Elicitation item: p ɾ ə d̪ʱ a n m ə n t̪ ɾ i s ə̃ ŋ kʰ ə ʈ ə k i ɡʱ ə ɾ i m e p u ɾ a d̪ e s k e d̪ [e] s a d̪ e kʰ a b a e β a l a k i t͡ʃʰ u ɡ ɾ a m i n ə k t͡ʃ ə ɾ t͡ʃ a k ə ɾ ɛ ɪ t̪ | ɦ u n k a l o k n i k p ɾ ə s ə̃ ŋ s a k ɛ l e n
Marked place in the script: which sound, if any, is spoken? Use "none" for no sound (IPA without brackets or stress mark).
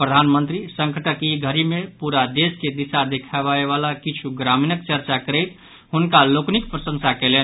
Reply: i